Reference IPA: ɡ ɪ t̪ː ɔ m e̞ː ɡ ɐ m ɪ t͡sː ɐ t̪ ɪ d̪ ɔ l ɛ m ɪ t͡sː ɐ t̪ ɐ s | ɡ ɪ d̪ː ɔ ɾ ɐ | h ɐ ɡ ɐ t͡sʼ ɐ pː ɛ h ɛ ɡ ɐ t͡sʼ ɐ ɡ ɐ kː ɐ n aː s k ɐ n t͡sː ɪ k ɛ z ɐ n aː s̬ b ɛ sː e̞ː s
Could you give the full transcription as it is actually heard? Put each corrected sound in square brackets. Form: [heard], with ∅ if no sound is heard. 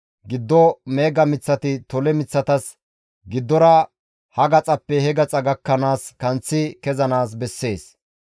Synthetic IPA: ɡ ɪ [d̪ː] ɔ m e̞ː ɡ ɐ m ɪ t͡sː ɐ t̪ ɪ [t̪] ɔ l ɛ m ɪ t͡sː ɐ t̪ ɐ s | ɡ ɪ d̪ː ɔ ɾ ɐ | h ɐ ɡ ɐ t͡sʼ ɐ pː ɛ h ɛ ɡ ɐ t͡sʼ ɐ ɡ ɐ kː ɐ n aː s k ɐ n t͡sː ɪ k ɛ z ɐ n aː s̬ b ɛ sː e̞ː s